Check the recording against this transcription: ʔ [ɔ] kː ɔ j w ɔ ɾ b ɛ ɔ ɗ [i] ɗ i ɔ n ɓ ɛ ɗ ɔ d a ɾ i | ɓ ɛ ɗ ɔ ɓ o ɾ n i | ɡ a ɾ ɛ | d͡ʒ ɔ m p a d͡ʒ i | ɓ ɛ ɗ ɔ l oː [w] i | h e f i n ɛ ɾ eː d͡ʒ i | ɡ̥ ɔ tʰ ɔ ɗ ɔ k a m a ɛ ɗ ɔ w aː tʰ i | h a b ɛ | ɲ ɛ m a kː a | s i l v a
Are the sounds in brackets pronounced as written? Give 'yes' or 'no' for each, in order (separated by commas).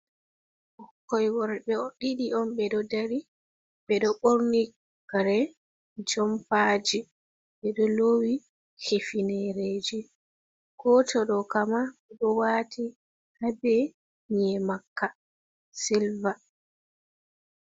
yes, yes, yes